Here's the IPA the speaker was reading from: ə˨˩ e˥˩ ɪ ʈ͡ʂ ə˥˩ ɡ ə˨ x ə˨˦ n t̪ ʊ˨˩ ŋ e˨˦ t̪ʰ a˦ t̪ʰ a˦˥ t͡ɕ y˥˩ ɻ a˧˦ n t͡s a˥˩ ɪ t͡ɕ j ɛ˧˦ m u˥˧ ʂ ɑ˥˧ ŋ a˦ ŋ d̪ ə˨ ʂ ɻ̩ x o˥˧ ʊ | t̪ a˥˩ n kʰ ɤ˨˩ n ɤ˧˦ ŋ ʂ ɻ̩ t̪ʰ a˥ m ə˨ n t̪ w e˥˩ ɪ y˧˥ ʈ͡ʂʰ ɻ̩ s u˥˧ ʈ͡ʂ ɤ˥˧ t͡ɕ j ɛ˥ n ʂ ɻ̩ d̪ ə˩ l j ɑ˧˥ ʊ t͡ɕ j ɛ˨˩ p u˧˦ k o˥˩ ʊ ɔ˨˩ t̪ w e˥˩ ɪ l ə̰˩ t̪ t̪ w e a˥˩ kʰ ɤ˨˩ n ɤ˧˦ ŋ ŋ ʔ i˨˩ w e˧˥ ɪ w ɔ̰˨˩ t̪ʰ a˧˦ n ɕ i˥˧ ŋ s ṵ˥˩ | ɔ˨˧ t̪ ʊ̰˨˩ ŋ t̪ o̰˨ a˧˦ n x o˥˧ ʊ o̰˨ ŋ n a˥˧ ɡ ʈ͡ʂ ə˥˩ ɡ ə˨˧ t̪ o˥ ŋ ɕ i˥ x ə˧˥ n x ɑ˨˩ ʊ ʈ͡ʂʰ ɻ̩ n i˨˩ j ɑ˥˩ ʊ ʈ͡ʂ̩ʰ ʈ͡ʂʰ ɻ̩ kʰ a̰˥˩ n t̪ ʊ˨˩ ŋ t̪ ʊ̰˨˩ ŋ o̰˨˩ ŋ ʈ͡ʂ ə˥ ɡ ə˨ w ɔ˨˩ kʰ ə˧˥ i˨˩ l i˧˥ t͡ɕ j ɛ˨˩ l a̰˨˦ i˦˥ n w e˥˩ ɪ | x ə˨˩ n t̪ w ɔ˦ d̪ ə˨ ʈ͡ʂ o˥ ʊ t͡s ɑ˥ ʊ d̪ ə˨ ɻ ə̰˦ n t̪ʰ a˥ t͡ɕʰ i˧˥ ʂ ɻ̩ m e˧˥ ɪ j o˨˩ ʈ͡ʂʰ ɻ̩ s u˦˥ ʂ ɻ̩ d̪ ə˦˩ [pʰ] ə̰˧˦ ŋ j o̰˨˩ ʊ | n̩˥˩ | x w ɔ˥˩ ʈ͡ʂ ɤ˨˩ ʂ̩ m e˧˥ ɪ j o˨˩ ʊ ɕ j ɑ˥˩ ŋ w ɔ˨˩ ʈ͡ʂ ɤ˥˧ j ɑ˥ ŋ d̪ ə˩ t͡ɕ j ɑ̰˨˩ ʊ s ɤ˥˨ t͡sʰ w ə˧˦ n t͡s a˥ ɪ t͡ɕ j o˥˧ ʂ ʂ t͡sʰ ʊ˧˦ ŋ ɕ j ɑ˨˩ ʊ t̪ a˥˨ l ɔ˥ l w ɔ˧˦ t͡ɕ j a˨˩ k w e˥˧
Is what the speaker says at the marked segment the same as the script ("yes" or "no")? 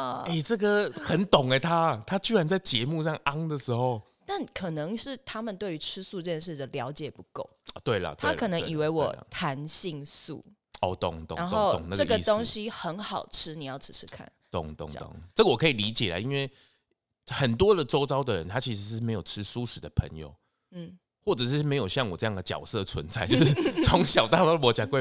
yes